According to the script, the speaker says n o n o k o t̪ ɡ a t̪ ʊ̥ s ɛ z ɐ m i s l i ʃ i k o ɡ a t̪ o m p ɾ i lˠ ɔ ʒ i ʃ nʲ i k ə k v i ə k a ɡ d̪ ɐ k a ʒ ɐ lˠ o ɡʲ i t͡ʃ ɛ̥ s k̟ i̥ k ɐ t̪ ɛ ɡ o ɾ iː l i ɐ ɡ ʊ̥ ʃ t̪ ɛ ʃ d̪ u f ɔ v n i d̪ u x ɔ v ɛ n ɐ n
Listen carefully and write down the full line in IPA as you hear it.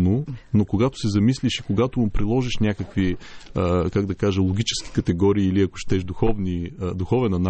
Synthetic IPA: n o n o k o ɡ a t̪ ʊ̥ s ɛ z ɐ m i s l i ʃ i k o ɡ a t̪ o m p ɾ i lˠ ɔ ʒ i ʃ nʲ a k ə k v i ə k a ɡ d̪ ɐ k a ʒ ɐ lˠ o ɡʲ i t͡ʃ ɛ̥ s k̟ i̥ k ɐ t̪ ɛ ɡ ɔ ɾ iː l i ɐ k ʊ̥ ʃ t̪ ɛ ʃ d̪ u x ɔ v n i d̪ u x ɔ v ɛ n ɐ n